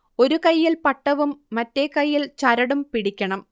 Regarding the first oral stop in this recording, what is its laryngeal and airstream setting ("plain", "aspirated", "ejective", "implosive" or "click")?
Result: plain